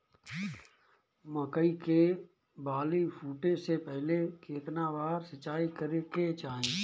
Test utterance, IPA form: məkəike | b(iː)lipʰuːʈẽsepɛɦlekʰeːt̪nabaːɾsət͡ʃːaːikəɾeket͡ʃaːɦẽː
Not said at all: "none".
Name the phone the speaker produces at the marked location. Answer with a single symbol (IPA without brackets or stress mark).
aː